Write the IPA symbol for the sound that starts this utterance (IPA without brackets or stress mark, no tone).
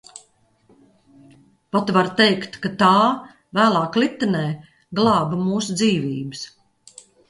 p